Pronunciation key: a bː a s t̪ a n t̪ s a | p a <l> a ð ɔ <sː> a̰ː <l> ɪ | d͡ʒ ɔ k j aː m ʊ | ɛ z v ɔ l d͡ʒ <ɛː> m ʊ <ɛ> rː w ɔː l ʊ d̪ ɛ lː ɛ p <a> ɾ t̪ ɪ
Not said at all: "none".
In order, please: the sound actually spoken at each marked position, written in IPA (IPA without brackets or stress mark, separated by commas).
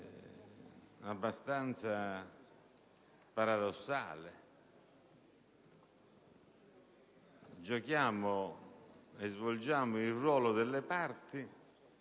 ɾ, sː, l, aː, i, a